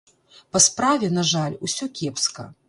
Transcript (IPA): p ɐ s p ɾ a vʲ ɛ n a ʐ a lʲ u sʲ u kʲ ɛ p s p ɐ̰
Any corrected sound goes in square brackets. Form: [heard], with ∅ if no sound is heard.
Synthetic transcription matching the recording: p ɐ s p ɾ a vʲ ɛ n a ʐ a lʲ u sʲ [ɔ] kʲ ɛ p s [k] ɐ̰